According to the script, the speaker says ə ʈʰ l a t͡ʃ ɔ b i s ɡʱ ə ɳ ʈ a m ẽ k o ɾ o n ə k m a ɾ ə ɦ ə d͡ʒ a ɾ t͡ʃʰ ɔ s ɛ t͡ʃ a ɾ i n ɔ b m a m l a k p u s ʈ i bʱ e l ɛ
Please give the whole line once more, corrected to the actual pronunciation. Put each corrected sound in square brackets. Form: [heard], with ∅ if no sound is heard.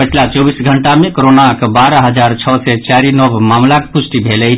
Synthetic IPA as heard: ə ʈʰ l a t͡ʃ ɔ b i s ɡʱ ə ɳ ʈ a m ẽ k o ɾ o n [a] k [b] a ɾ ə ɦ ə d͡ʒ a ɾ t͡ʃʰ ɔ s ɛ t͡ʃ a ɾ i n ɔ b m a m l a k p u s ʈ i bʱ e l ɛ